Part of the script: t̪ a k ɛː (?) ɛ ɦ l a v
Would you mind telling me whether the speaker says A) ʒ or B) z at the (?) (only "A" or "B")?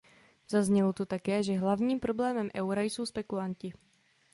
A